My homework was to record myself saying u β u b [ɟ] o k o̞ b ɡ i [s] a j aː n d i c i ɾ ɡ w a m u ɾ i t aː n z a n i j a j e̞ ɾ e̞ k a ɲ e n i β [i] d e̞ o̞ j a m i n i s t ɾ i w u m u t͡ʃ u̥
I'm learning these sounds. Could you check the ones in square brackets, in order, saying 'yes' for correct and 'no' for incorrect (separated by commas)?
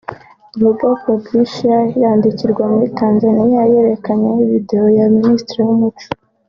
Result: no, no, yes